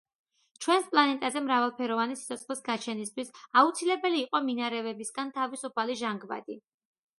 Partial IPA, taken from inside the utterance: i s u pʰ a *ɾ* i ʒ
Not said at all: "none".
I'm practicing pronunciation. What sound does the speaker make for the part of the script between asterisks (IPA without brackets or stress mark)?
l